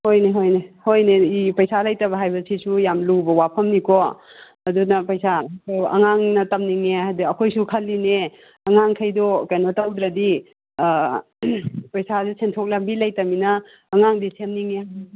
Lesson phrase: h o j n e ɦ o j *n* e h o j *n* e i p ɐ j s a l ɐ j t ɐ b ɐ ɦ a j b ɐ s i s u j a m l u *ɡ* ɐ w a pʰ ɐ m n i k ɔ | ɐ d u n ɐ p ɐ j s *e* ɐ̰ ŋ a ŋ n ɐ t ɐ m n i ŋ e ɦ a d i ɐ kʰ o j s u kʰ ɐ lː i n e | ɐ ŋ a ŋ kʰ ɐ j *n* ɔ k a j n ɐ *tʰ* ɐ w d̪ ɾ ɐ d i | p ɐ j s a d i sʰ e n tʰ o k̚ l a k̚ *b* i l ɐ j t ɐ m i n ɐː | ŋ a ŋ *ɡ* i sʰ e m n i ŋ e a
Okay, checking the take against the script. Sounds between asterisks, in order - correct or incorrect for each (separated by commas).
correct, correct, incorrect, incorrect, incorrect, incorrect, correct, incorrect